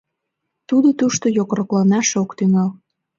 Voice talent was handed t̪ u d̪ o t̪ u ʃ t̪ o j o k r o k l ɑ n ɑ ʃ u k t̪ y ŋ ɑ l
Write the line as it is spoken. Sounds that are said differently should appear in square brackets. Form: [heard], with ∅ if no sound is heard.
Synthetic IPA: t̪ u d̪ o t̪ u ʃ t̪ o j o k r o k l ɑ n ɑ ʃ [o] k t̪ y ŋ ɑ l